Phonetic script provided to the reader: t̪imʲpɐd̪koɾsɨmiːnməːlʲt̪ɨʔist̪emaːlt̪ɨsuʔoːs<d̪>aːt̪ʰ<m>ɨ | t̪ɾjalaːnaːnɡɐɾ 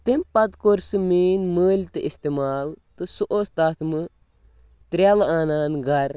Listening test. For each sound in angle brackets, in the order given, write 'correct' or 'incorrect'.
incorrect, correct

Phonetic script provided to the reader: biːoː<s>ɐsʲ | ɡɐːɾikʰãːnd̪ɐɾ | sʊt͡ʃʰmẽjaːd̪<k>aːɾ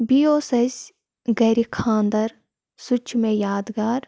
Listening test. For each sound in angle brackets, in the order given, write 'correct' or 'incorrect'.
correct, incorrect

